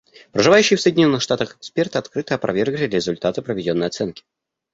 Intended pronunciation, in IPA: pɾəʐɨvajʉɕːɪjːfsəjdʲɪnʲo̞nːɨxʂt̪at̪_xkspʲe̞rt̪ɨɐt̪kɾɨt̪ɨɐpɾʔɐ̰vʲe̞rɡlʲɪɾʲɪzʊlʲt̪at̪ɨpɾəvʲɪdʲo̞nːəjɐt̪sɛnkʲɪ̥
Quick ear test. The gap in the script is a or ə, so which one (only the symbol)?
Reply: ə